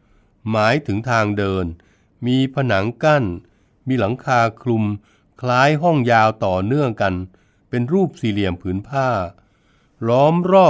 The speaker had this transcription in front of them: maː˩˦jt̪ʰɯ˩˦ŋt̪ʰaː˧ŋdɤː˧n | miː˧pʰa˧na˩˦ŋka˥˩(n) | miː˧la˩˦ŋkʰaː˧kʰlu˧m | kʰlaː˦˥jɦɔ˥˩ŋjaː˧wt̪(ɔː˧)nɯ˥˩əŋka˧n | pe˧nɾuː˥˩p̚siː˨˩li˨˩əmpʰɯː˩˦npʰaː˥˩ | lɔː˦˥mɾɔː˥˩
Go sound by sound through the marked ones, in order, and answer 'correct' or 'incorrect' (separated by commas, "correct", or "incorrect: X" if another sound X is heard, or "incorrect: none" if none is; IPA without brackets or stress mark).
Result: correct, incorrect: ɔː˨˩